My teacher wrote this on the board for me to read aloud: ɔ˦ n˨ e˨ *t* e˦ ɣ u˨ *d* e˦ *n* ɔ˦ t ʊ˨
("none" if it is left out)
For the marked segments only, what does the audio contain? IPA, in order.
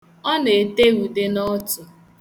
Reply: t, d, n

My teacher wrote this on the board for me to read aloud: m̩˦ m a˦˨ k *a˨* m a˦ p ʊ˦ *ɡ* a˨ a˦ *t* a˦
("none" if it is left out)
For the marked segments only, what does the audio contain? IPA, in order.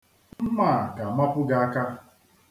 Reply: a˨, ɡ, k

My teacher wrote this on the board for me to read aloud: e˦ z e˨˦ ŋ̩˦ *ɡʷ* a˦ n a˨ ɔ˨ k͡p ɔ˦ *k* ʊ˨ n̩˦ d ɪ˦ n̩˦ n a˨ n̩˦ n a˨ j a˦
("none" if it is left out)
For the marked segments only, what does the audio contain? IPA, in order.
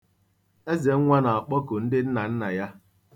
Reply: ŋʷ, k

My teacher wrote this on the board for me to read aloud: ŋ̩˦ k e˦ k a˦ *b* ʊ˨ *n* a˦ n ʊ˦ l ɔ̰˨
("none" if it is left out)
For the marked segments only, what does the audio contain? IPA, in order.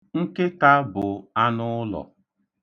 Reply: b, none

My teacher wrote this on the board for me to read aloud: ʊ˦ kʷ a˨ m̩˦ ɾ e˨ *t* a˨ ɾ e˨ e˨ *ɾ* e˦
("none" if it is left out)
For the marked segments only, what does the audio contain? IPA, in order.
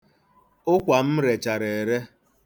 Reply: t͡ʃ, ɾ

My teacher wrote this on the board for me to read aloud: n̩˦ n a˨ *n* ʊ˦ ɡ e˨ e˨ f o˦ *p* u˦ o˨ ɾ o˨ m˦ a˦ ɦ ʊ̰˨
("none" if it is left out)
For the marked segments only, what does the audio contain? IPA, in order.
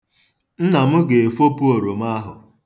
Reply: m, p

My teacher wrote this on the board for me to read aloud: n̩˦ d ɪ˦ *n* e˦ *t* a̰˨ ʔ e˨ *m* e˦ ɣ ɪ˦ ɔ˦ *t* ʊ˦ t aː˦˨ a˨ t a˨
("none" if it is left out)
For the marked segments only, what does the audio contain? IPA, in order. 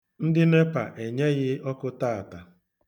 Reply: n, p, ɲ, k

